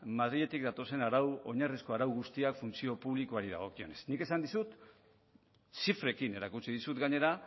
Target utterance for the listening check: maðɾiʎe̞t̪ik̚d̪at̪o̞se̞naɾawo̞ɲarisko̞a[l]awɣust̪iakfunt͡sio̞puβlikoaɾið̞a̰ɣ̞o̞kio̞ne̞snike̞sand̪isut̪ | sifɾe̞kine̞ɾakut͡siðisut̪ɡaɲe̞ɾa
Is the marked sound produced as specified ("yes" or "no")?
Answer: no